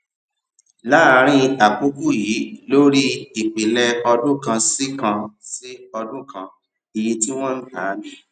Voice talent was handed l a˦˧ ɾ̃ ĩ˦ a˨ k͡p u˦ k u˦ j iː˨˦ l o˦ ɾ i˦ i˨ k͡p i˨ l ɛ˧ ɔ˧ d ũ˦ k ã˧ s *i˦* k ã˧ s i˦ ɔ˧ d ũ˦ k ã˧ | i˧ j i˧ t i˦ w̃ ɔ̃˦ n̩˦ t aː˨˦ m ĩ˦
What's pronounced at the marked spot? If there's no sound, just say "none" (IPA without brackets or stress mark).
i˦